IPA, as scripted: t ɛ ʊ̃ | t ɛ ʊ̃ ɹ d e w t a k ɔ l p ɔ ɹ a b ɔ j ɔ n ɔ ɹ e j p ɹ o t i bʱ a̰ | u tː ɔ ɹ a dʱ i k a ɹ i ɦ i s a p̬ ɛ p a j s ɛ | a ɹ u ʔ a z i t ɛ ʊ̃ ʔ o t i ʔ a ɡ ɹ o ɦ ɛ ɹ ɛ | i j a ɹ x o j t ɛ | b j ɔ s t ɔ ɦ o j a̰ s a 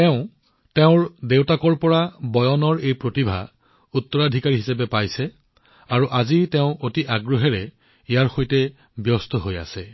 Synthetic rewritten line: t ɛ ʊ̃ | t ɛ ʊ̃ ɹ d e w t a k ɔ ɹ p ɔ ɹ a b ɔ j ɔ n ɔ ɹ e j p ɹ o t i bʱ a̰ | u tː ɔ ɹ a dʱ i k a ɹ i ɦ i s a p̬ ɛ p a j s ɛ | a ɹ u ʔ a z i t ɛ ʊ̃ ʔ o t i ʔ a ɡ ɹ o ɦ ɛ ɹ ɛ | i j a ɹ x o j t ɛ | b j ɔ s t ɔ ɦ o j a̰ s ɛ